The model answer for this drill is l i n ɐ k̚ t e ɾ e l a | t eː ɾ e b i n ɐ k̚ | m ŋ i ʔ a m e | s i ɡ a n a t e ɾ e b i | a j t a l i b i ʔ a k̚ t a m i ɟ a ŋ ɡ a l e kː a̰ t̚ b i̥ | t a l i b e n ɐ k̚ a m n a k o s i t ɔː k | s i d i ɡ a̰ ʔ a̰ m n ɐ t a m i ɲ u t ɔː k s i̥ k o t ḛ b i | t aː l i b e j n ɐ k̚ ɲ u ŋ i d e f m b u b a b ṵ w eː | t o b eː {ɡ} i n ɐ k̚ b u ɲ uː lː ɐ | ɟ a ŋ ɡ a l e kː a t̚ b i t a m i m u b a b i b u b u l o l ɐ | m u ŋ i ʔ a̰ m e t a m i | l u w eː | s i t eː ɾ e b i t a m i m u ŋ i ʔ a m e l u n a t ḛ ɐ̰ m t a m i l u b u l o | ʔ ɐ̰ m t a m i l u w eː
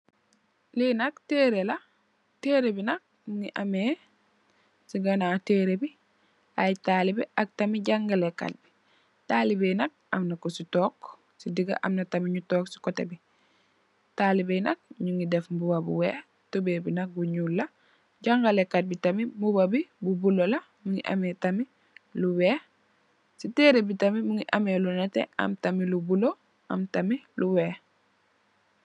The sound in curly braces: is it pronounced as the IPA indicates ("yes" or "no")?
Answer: no